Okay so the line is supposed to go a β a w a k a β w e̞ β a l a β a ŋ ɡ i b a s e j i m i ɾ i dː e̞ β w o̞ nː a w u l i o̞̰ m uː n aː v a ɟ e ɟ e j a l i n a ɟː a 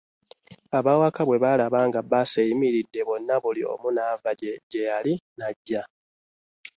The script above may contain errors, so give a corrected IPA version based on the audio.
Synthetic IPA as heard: a β a w a k a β w e̞ β a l a β a ŋ ɡ a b a s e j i m i ɾ i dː e̞ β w o̞ nː a β u l i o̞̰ m u n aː v a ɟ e ɟ e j a l i n a ɟː a